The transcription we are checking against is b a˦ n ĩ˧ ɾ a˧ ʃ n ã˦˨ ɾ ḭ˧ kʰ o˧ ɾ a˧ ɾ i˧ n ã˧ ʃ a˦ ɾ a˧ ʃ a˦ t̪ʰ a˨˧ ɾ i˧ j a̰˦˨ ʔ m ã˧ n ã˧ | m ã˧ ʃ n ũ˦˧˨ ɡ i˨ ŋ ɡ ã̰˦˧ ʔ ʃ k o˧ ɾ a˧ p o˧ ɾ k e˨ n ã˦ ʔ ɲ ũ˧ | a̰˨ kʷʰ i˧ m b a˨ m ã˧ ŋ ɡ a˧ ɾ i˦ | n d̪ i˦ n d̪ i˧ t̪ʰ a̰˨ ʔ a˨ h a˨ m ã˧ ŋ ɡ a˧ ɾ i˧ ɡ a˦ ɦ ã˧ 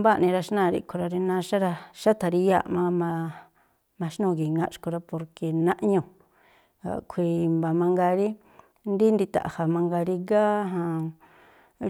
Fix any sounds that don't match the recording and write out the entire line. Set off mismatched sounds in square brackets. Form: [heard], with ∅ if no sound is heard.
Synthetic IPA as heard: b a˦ n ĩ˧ ɾ a˧ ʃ n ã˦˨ ɾ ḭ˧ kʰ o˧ ɾ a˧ ɾ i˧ n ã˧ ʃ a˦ ɾ a˧ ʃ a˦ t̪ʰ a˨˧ ɾ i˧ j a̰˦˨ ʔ m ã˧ [m] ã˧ | m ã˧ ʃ n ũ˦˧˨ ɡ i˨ ŋ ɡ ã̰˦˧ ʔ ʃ k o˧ ɾ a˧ p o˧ ɾ k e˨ n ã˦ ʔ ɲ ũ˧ | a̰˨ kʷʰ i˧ m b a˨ m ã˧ ŋ ɡ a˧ ɾ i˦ | n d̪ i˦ n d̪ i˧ [t̪] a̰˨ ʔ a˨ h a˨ m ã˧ ŋ ɡ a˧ ɾ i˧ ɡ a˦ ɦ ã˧